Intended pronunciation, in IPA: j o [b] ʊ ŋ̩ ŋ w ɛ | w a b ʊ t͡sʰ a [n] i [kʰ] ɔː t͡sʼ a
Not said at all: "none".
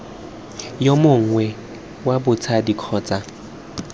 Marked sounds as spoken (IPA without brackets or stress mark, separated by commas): m, d, kʰ